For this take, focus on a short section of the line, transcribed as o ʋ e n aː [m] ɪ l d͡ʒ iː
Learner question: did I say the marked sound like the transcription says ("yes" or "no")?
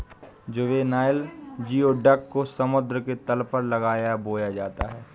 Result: no